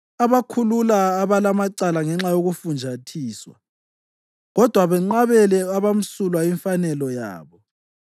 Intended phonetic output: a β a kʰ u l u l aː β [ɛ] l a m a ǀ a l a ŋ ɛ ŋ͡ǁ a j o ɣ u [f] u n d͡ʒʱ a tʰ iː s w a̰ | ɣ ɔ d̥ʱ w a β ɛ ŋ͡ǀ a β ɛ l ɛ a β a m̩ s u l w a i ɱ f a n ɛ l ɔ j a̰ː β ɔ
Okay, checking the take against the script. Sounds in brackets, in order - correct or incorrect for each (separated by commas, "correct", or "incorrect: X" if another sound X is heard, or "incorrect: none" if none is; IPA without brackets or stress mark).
incorrect: a, correct